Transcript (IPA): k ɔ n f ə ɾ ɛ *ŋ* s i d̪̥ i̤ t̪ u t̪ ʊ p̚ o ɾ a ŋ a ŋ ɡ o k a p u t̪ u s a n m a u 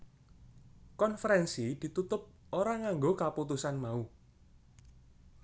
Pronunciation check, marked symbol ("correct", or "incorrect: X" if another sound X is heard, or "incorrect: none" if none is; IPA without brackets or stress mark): incorrect: n